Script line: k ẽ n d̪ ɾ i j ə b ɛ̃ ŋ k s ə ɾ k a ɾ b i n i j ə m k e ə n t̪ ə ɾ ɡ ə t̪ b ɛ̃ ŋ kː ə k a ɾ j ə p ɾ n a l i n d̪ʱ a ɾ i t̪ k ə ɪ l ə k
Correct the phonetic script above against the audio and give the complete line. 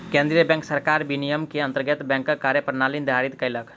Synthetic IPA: k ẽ n d̪ ɾ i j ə b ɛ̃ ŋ k s ə ɾ k a ɾ b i n i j ə m k e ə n t̪ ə ɾ ɡ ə t̪ b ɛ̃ ŋ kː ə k a ɾ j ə p ɾ n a l i n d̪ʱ a ɾ i t̪ k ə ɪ l ə k